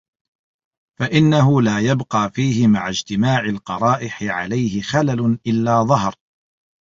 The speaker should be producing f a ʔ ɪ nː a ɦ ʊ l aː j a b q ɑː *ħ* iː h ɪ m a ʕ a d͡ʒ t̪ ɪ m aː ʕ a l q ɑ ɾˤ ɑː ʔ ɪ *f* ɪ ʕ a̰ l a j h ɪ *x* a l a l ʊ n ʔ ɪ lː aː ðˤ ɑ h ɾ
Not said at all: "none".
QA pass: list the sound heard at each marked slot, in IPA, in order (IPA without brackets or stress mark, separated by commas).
f, ħ, x